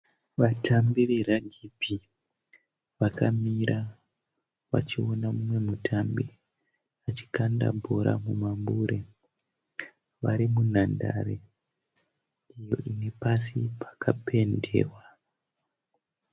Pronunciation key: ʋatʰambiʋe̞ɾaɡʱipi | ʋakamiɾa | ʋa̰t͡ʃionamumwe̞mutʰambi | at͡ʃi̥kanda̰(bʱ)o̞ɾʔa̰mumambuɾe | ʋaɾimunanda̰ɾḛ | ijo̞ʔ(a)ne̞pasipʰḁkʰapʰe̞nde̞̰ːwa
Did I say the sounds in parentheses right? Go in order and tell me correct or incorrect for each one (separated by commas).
correct, incorrect